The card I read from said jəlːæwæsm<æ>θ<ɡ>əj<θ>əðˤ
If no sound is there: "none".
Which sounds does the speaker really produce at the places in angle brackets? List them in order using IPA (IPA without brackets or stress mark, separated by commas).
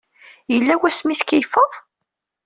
i, k, f